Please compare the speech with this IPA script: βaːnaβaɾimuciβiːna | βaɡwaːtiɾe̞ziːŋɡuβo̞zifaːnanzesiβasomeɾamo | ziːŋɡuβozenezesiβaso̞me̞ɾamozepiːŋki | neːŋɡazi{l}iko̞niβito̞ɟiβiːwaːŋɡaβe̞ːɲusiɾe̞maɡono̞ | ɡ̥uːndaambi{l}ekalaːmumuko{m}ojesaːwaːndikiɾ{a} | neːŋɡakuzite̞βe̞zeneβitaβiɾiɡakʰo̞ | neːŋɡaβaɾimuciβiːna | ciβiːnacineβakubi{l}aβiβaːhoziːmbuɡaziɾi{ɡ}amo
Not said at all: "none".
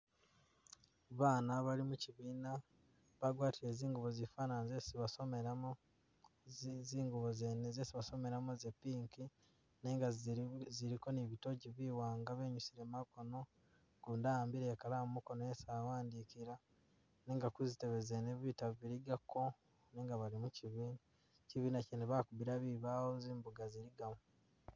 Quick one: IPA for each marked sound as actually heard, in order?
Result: ɾ, ɾ, n, a, ɾ, ɡ

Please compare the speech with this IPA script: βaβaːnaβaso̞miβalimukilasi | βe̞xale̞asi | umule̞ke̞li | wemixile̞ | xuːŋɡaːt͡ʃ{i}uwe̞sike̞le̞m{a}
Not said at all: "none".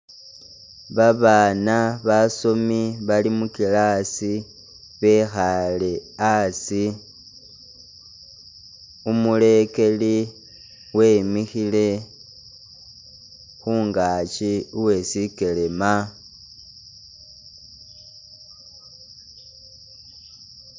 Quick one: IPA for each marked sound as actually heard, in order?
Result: i, a

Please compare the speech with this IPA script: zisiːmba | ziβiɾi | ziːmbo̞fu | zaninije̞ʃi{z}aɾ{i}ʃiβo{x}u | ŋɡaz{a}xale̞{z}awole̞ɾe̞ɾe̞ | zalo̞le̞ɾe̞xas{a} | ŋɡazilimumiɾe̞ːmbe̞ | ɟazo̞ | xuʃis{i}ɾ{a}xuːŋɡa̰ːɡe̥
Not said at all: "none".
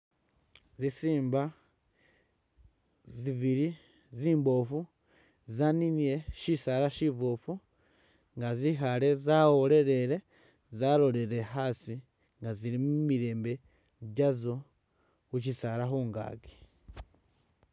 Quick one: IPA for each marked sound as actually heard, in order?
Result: s, a, f, i, z, i, a, a

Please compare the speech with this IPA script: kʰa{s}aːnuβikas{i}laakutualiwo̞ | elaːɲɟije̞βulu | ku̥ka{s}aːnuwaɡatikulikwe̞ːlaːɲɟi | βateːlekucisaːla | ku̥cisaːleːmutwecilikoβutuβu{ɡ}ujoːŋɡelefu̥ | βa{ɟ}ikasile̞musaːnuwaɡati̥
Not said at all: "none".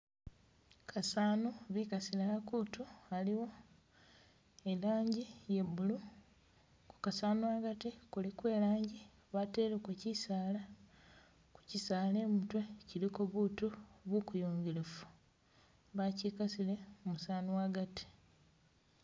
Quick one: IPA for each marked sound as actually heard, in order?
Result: s, i, s, k, c

